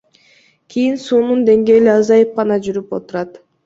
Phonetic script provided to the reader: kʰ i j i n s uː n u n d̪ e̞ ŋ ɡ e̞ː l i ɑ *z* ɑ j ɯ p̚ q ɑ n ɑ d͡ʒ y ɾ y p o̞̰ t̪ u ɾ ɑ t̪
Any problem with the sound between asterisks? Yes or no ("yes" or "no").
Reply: no